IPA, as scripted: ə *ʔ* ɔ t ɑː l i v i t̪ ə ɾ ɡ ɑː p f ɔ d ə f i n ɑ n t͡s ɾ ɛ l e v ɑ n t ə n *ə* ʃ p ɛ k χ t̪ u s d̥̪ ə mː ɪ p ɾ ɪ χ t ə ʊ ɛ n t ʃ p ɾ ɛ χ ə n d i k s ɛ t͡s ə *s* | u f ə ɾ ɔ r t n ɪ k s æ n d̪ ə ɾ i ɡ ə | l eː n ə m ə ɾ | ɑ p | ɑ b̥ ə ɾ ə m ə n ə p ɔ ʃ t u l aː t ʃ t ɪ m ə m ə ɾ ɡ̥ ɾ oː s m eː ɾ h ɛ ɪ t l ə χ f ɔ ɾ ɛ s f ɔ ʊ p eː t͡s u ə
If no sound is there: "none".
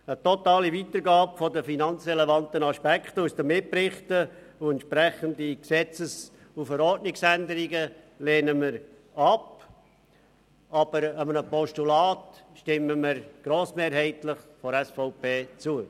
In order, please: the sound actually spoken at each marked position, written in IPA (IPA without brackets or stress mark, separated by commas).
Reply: t, ɑ, s